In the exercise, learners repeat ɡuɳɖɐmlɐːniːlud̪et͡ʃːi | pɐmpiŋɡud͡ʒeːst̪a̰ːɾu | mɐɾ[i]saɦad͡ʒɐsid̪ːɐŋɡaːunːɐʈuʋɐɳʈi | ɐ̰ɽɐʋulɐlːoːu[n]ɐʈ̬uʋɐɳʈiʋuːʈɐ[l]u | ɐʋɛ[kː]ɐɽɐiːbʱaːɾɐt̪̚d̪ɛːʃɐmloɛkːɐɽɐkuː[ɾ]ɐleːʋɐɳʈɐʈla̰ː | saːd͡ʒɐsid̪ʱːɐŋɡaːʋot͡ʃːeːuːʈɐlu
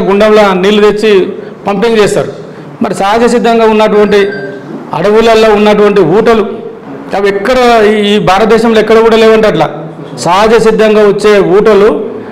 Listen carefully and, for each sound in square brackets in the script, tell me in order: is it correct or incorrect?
correct, incorrect, correct, correct, incorrect

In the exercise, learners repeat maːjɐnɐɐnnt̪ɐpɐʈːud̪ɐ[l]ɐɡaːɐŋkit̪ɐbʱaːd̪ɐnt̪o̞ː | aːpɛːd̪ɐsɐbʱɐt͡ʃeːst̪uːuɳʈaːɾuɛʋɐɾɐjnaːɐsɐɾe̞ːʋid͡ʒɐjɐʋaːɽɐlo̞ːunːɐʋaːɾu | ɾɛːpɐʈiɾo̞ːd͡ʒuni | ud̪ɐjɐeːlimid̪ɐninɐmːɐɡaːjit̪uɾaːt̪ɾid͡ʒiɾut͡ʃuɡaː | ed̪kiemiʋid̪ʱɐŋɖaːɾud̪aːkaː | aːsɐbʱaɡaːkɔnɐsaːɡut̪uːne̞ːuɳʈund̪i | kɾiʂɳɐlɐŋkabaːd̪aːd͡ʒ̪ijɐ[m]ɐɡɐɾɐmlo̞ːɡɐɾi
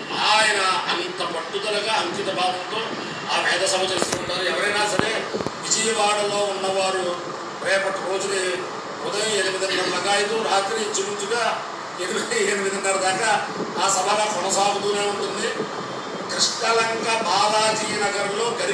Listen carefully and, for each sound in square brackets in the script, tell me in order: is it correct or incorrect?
correct, incorrect

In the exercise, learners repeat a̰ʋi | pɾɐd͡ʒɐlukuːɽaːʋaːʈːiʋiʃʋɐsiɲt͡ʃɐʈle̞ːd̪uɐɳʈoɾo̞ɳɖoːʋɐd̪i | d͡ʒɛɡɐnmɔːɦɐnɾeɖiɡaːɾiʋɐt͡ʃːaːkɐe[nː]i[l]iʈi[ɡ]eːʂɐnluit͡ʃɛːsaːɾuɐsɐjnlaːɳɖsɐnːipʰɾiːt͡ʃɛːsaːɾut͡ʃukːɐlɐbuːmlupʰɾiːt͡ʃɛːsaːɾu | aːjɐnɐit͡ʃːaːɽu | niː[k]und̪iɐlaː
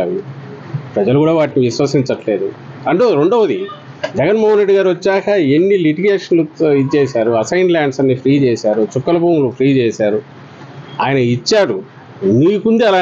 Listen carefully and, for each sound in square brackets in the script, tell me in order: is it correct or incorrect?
correct, correct, correct, correct

